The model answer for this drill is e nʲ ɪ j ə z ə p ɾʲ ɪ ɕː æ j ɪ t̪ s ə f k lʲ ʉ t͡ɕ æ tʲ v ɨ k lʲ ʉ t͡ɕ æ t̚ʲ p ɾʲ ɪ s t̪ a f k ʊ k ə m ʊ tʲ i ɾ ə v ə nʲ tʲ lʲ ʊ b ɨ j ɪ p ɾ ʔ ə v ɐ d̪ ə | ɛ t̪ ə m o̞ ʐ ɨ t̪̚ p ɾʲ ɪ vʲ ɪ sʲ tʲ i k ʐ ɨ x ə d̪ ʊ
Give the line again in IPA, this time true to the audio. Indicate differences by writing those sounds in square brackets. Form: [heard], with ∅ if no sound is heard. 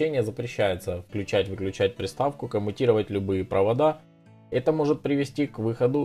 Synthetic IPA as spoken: e nʲ ɪ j ə z ə p ɾʲ ɪ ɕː æ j ɪ t̪ s ə f k lʲ ʉ t͡ɕ æ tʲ v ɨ k lʲ ʉ t͡ɕ æ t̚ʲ p ɾʲ ɪ s t̪ a f k ʊ k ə m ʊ tʲ i ɾ ə v ə [∅] tʲ lʲ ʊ b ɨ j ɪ p ɾ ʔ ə v ɐ d̪ [a] | ɛ t̪ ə m o̞ ʐ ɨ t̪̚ p ɾʲ ɪ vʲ ɪ sʲ tʲ i k [v] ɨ x ə d̪ ʊ